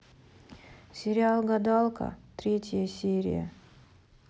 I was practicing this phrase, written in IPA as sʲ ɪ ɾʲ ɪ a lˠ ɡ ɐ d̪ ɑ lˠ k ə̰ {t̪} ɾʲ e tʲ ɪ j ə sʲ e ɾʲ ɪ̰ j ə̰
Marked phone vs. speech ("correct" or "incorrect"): correct